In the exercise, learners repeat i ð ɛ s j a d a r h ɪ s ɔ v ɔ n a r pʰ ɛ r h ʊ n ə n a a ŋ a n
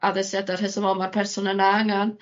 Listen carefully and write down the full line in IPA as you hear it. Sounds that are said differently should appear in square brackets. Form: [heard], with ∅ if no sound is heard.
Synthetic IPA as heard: [a] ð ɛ s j a d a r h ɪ s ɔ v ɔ [m] a r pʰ ɛ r [s] ʊ n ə n a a ŋ a n